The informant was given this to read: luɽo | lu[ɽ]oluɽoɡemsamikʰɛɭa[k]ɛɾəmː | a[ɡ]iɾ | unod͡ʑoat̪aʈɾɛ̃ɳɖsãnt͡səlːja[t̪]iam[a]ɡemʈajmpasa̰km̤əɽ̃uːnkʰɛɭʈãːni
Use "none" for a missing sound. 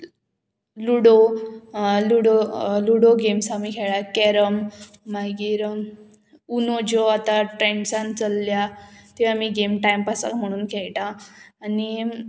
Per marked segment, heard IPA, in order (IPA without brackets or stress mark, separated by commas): ɽ, k, ɡ, t̪, i